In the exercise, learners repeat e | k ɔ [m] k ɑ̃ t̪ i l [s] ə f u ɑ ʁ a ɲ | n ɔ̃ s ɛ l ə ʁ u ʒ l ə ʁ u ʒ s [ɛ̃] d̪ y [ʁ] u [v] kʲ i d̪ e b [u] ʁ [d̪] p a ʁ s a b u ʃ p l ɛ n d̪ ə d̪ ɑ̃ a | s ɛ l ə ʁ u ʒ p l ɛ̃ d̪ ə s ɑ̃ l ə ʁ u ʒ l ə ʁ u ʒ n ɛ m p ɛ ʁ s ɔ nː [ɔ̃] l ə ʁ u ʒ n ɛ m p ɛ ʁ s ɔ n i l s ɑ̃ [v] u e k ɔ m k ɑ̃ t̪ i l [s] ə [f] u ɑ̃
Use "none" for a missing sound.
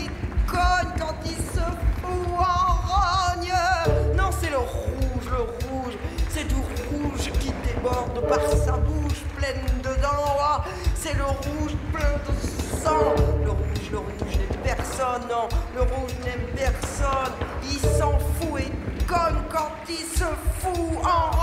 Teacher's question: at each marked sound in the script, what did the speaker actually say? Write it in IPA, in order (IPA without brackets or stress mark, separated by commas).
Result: ɲ, s, ɛ, ʁ, ʒ, ɔ, d̪, ɔ̃, f, s, f